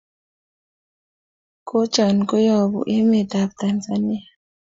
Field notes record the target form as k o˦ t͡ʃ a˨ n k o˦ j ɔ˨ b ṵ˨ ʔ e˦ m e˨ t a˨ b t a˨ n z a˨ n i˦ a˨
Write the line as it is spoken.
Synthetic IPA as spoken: k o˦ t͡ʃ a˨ n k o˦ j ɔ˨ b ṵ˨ ʔ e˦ m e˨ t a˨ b t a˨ n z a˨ n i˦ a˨